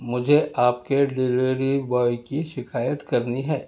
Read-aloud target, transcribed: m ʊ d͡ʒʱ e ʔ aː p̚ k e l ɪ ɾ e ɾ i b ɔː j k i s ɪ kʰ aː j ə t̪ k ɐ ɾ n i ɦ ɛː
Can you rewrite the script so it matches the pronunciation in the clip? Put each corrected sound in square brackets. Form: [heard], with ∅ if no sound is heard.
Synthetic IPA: m ʊ d͡ʒʱ e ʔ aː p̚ k e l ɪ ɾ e ɾ i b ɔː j k i [ʃ] ɪ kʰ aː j ə t̪ k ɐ ɾ n i ɦ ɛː